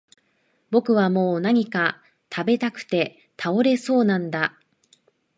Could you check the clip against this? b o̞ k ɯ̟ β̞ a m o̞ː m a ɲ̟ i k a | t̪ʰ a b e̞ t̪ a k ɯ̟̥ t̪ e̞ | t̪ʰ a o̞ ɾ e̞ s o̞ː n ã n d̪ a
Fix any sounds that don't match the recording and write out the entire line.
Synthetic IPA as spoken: b o̞ k ɯ̟ β̞ a m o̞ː n a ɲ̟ i k a | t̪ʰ a b e̞ t̪ a k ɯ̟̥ t̪ e̞ | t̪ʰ a o̞ ɾ e̞ s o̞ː n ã n d̪ a